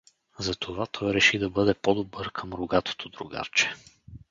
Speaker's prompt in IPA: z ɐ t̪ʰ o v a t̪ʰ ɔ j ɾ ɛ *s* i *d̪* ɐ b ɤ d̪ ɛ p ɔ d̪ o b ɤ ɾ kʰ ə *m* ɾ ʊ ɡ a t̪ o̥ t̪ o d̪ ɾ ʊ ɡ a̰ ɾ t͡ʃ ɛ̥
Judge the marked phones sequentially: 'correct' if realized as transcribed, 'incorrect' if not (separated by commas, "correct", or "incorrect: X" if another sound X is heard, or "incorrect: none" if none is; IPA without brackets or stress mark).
incorrect: ʃ, correct, correct